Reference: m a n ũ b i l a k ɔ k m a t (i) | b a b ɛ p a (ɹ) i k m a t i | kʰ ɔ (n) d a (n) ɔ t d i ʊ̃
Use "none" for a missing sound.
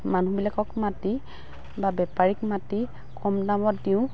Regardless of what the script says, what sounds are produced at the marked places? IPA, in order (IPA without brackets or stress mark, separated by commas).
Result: i, ɹ, m, m